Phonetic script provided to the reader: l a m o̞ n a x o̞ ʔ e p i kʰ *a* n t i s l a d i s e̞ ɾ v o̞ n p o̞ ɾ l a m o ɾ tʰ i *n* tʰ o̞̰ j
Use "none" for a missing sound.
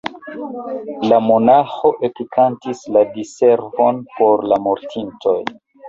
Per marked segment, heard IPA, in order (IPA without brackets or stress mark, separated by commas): a, n